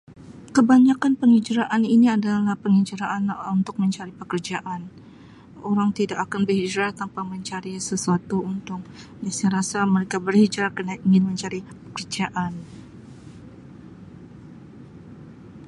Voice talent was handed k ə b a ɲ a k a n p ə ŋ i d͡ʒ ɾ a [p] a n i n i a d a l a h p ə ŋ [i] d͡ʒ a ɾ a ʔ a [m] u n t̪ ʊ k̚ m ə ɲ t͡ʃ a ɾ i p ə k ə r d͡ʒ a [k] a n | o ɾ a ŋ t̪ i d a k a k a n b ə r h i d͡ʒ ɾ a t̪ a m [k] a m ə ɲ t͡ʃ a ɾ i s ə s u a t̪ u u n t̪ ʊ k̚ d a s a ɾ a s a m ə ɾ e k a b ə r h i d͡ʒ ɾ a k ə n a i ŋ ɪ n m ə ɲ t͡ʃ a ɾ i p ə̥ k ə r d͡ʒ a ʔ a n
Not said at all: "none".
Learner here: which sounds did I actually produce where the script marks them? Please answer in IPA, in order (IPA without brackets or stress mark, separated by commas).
ʔ, i, n, ʔ, p